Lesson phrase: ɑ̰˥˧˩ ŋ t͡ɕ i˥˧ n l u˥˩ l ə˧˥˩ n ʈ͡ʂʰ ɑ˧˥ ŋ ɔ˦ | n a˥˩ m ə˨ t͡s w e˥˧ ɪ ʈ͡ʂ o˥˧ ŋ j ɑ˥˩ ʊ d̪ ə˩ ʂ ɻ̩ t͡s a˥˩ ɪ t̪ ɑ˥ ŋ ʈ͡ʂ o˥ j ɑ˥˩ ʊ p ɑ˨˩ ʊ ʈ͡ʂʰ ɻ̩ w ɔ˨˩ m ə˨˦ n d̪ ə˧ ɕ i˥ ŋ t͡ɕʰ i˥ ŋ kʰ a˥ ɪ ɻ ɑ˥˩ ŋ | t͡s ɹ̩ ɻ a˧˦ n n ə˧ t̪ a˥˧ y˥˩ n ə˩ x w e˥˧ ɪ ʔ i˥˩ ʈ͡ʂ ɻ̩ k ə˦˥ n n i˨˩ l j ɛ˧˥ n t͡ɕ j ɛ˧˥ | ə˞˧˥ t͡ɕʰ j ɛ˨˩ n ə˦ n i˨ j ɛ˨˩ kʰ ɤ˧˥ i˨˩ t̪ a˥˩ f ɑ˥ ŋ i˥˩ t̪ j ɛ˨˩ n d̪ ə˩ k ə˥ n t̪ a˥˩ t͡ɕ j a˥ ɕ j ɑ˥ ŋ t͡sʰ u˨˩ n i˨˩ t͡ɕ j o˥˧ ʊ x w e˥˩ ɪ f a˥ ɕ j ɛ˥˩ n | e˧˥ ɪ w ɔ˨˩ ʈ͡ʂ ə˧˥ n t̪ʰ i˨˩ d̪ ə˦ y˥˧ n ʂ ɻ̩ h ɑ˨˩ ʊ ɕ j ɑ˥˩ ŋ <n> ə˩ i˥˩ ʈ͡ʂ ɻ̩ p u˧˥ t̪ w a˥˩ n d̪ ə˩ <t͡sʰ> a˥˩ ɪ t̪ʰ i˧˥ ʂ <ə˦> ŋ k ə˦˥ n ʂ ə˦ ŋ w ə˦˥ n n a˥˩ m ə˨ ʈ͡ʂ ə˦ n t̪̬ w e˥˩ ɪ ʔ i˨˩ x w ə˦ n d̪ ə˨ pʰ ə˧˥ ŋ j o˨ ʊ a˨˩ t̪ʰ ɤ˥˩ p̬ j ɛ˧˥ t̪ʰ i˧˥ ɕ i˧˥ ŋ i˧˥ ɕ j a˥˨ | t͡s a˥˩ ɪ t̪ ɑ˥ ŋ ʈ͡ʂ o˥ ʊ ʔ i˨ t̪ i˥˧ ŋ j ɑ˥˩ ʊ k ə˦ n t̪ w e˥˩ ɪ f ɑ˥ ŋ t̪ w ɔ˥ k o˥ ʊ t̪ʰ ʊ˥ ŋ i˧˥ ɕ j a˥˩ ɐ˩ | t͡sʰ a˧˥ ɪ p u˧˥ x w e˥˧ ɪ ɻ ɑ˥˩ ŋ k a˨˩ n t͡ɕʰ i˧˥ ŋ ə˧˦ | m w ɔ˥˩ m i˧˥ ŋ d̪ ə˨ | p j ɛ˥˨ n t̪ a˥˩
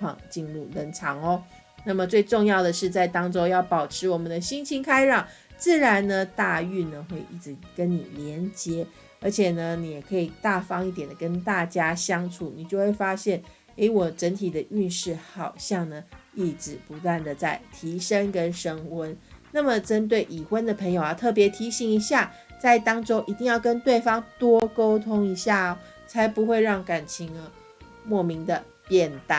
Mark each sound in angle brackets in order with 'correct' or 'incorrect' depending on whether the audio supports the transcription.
correct, incorrect: t͡s, correct

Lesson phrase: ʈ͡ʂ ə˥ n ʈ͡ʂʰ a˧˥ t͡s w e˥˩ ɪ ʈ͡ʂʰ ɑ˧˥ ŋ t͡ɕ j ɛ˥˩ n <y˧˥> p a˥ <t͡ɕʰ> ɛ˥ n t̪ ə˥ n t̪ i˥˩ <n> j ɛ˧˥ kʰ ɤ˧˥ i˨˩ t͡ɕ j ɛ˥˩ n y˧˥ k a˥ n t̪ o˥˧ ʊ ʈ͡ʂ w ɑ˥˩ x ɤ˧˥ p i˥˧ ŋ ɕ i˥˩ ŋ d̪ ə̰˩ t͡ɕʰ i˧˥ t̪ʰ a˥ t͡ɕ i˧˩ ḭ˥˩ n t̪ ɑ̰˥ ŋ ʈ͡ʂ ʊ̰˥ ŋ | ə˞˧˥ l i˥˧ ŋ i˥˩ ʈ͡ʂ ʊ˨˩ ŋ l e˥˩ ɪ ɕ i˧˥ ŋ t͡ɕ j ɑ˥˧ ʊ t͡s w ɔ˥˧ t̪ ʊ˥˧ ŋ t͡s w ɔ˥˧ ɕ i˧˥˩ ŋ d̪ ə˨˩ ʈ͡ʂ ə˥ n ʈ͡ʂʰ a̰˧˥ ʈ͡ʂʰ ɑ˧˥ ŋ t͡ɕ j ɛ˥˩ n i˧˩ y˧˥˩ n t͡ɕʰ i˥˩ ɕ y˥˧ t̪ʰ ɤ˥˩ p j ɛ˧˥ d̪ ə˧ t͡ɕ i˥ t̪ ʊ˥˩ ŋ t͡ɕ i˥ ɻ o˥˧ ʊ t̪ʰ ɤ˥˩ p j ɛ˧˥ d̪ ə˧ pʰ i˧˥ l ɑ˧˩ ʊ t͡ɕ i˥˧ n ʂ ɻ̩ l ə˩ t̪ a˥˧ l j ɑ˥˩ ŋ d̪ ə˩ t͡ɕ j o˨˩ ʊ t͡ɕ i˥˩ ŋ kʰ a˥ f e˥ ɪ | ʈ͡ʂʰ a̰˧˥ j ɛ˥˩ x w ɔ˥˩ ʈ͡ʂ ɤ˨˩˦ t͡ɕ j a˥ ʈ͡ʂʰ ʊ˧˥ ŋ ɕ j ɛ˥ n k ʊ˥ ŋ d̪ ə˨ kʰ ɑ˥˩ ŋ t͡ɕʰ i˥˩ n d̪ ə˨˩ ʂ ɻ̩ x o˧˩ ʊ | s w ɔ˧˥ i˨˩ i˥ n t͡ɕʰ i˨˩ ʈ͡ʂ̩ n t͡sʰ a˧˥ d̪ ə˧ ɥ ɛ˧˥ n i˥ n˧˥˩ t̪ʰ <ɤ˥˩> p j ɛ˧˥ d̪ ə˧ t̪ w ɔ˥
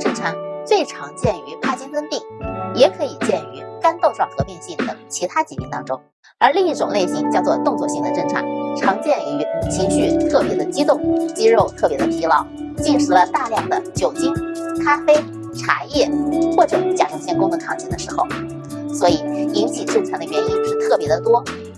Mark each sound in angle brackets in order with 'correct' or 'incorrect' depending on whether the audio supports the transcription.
correct, incorrect: t͡ɕ, incorrect: ŋ, correct

